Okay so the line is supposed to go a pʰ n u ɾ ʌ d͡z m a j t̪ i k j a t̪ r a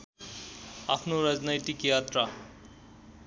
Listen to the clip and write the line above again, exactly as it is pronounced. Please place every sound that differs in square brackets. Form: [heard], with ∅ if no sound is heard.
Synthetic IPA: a pʰ n [o] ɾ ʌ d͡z [n] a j t̪ i k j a t̪ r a

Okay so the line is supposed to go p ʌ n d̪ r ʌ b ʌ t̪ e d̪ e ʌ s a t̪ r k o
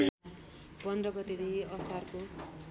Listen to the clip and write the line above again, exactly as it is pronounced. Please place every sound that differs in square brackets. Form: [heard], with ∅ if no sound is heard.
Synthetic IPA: p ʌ n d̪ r ʌ [ɡ] ʌ t̪ e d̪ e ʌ s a [∅] r k o

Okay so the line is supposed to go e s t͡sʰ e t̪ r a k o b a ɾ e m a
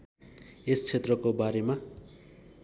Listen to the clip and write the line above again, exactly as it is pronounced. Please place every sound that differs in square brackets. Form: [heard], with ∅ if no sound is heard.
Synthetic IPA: e s t͡sʰ e t̪ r [ʌ] k o b a ɾ e m a

